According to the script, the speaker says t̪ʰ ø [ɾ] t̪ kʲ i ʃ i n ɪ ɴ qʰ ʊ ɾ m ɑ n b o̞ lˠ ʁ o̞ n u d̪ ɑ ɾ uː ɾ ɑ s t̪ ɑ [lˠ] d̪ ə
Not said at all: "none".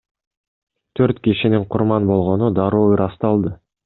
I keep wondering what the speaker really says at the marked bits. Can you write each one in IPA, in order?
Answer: ɾ, lˠ

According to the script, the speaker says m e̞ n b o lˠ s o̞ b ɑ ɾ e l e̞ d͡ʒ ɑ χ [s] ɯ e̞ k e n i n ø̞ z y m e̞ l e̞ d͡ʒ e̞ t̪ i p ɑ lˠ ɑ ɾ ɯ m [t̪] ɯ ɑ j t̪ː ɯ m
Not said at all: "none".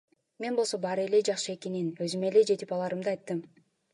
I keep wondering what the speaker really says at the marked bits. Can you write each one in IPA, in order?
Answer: ʃ, d̪

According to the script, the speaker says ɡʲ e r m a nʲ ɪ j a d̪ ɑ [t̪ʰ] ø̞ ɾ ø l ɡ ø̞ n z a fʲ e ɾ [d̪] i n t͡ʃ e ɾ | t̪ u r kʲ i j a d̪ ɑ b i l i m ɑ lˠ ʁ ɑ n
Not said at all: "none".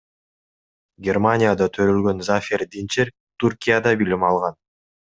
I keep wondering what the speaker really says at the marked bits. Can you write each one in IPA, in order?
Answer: t̪ʰ, d̪

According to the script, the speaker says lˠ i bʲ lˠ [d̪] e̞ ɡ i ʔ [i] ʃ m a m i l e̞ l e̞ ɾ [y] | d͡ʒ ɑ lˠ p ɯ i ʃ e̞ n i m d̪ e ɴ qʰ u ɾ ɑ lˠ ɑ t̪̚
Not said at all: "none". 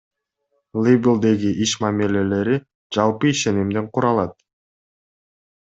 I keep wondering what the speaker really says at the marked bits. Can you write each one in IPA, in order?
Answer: d̪, i, i

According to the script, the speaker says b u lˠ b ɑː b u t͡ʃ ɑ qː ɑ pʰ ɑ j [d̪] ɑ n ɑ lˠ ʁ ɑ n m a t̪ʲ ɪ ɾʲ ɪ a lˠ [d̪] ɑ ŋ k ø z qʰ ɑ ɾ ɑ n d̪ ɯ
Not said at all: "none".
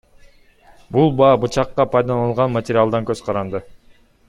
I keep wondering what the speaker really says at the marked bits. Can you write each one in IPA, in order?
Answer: d̪, d̪

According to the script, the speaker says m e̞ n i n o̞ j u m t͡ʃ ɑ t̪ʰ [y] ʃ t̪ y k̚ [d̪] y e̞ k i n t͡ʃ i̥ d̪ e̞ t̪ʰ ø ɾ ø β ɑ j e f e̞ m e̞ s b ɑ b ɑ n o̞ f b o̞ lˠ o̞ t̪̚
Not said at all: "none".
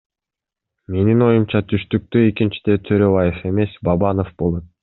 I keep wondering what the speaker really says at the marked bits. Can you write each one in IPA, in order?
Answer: y, t̪

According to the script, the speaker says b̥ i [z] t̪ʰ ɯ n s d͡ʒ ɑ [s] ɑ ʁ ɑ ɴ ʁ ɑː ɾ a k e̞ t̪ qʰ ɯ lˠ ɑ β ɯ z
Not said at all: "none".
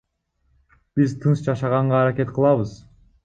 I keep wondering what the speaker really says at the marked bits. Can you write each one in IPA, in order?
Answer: z, ʃ

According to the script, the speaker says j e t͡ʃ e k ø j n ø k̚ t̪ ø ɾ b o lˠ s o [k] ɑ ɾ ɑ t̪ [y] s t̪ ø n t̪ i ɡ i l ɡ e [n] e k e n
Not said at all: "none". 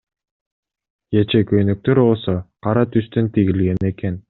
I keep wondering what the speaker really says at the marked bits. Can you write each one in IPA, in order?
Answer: q, y, n

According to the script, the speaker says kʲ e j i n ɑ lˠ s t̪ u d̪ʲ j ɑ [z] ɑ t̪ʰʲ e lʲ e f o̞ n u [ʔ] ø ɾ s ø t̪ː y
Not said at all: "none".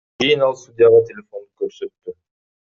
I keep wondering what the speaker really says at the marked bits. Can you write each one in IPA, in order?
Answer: ʁ, k

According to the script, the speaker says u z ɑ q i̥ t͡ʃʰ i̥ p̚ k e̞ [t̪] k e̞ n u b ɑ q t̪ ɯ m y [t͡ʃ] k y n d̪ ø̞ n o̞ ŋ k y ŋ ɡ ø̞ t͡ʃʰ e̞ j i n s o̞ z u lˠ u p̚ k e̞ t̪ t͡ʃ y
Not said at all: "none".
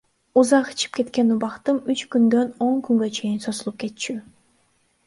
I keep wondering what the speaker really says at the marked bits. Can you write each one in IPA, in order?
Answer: t̪, t͡ʃ

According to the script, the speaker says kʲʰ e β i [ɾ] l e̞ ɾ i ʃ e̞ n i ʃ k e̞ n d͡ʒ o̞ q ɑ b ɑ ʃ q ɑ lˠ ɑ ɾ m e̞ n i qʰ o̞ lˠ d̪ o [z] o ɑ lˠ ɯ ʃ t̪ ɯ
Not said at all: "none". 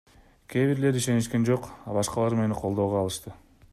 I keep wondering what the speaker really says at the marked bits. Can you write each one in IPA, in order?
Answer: ɾ, ʁ

